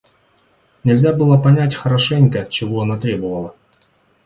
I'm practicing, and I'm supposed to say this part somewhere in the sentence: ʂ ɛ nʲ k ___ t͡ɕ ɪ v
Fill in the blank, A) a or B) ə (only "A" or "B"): B